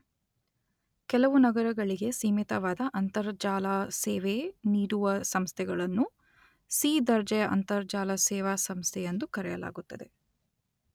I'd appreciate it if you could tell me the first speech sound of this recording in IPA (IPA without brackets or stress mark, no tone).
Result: k